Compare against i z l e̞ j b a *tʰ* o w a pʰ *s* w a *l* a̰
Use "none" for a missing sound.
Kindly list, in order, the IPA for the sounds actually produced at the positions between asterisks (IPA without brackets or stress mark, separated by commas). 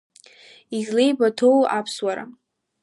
tʰ, s, ɾ